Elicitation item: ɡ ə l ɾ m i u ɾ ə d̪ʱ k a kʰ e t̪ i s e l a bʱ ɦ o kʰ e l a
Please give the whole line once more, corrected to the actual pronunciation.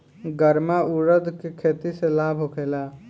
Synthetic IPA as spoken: ɡ ə ɾ m a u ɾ ə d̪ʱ k e kʰ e t̪ i s e l a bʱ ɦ o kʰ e l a